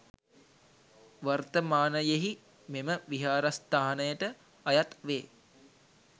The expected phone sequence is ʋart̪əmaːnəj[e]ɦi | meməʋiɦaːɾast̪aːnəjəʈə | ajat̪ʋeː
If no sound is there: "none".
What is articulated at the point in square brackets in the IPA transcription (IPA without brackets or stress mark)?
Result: e